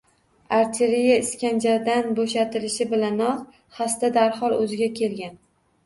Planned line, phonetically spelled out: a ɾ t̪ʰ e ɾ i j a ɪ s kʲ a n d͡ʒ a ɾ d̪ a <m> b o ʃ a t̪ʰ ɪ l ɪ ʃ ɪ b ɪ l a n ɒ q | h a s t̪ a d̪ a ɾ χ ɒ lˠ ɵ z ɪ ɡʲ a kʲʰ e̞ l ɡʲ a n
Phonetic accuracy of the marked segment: incorrect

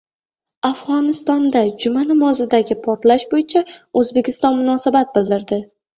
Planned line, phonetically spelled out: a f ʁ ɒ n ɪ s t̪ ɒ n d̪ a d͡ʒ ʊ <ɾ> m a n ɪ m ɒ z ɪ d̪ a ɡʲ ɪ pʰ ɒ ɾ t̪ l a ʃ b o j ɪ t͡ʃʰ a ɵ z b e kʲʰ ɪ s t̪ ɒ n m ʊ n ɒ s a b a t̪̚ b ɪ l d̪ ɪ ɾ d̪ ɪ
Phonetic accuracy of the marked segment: incorrect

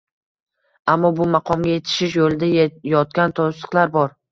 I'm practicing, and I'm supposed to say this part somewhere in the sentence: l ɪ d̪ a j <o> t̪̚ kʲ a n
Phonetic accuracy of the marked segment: incorrect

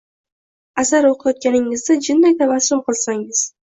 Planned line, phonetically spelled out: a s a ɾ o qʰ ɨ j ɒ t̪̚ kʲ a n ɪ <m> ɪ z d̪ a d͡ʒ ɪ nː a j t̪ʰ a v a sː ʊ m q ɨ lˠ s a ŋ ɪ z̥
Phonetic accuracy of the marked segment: incorrect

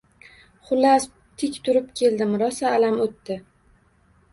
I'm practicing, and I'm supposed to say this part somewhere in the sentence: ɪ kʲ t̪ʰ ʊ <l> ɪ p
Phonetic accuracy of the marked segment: incorrect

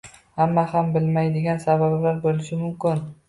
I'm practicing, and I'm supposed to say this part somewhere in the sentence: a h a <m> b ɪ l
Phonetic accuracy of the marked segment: correct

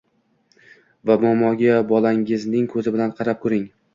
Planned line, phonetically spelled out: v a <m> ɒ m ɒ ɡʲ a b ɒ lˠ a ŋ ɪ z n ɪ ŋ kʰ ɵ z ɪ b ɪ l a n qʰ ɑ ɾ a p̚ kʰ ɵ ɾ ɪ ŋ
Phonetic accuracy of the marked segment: correct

